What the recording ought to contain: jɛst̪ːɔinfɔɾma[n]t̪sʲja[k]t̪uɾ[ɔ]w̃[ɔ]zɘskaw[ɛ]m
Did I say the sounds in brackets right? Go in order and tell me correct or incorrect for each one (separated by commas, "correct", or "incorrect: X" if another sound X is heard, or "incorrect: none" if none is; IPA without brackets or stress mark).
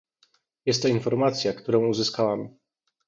incorrect: none, correct, incorrect: ɔ̃, incorrect: u, incorrect: a